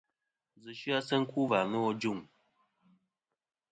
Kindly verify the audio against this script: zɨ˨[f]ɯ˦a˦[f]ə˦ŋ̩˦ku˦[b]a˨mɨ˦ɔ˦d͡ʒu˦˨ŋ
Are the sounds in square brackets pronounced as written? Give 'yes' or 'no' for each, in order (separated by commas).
no, no, no